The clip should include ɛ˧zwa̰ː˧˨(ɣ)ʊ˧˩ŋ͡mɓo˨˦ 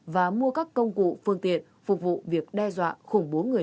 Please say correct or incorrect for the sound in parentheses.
incorrect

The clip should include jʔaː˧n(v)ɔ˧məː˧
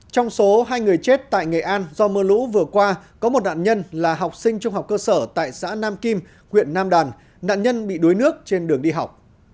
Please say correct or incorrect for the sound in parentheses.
incorrect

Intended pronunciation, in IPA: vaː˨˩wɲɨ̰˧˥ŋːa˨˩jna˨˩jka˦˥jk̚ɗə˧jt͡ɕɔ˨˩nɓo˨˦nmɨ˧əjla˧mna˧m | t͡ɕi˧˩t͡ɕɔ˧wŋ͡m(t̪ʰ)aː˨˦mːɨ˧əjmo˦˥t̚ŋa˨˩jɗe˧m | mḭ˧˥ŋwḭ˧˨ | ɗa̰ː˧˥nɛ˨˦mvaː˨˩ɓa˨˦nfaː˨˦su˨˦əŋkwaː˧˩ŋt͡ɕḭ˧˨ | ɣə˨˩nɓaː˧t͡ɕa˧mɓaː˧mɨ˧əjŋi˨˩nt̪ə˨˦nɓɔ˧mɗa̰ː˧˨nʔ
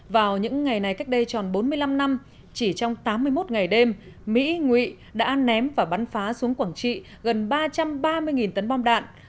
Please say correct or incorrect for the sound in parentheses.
incorrect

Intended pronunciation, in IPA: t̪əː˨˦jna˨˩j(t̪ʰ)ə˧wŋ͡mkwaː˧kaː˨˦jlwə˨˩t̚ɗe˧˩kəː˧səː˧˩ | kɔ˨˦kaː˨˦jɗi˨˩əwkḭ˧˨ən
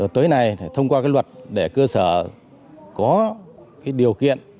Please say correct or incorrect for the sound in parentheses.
correct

